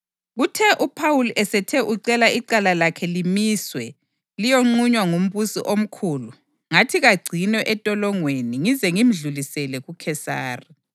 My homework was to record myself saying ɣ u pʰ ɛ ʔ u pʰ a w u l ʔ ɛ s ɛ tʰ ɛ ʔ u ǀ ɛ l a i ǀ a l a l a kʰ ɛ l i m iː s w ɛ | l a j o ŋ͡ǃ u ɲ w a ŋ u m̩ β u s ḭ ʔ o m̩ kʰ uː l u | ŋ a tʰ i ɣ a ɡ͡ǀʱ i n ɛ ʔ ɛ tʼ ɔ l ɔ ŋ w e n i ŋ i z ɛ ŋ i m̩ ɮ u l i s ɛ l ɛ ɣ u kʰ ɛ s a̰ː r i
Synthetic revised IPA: ɣ u tʰ ɛ ʔ u pʰ a w u l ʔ ɛ s ɛ tʰ ɛ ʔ u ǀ ɛ l a i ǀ a l a l a kʰ ɛ l i m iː s w ɛ | l i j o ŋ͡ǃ u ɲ w a ŋ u m̩ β u s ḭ ʔ o m̩ kʰ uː l u | ŋ a tʰ i ɣ a ɡ͡ǀʱ i n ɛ ʔ ɛ tʼ ɔ l ɔ ŋ w e n i ŋ i z ɛ ŋ i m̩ ɮ u l i s ɛ l ɛ ɣ u kʰ ɛ s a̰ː r i

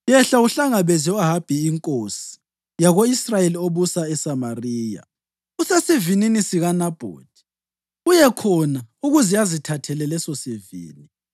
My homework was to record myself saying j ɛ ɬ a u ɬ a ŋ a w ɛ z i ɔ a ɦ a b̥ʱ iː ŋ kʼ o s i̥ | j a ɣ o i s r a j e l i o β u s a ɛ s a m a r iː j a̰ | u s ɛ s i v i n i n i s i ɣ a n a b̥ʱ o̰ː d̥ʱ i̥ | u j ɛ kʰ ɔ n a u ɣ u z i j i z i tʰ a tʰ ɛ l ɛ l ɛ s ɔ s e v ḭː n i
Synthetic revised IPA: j ɛ ɬ a u ɬ a ŋ a β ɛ z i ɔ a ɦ a b̥ʱ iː ŋ kʼ o s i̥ | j a ɣ o i s r a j e l i o β u s a ɛ s a m a r iː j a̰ | u s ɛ s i v i n i n i s i ɣ a n a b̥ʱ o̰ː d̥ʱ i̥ | u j ɛ kʰ ɔ n a u ɣ u z i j a z i tʰ a tʰ ɛ l ɛ l ɛ s ɔ s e v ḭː n i

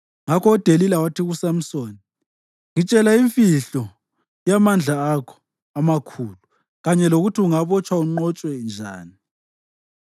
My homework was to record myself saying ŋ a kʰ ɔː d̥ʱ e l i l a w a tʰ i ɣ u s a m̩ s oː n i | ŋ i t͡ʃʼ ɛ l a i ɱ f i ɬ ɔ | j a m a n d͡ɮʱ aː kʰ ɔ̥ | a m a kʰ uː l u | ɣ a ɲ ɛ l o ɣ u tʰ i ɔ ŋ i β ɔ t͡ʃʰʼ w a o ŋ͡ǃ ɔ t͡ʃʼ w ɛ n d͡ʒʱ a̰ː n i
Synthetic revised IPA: ŋ a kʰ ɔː d̥ʱ e l i l a w a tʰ i ɣ u s a m̩ s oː n i | ŋ i t͡ʃʼ ɛ l a i ɱ f i ɬ ɔ | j a m a n d͡ɮʱ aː kʰ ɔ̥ | a m a kʰ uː l u | ɣ a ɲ ɛ l o ɣ u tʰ i u ŋ a β ɔ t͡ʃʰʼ w a u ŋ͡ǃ ɔ t͡ʃʼ w ɛ n d͡ʒʱ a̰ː n i

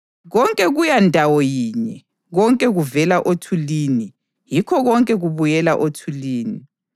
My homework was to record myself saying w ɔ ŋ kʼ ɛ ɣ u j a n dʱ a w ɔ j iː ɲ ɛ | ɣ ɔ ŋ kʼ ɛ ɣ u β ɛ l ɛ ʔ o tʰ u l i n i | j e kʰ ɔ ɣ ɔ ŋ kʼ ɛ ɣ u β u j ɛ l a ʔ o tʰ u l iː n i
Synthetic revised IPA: ɣ ɔ ŋ kʼ ɛ ɣ u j a n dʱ a w ɔ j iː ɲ ɛ | ɣ ɔ ŋ kʼ ɛ ɣ u v ɛ l a ʔ o tʰ u l i n i | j i kʰ ɔ ɣ ɔ ŋ kʼ ɛ ɣ u β u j ɛ l a ʔ o tʰ u l iː n i

